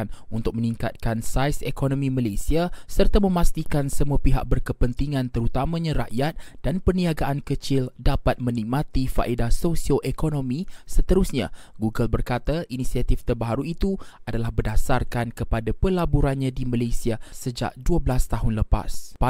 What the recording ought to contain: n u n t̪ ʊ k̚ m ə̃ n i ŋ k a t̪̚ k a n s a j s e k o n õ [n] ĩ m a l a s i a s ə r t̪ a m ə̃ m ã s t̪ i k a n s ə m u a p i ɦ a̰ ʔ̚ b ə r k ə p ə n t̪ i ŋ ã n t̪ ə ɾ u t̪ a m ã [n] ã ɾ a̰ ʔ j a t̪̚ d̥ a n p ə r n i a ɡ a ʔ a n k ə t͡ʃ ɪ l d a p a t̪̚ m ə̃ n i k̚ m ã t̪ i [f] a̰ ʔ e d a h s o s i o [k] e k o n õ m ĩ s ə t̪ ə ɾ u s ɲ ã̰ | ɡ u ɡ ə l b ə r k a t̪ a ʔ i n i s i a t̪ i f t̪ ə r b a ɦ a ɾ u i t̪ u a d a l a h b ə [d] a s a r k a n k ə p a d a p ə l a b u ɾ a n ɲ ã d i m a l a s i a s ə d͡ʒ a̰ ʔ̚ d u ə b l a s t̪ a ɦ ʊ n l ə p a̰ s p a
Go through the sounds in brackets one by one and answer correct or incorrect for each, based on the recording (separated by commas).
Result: incorrect, incorrect, correct, incorrect, correct